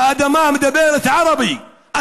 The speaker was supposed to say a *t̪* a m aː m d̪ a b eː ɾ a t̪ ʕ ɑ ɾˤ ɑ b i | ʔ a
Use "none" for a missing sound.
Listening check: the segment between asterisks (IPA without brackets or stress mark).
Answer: d̪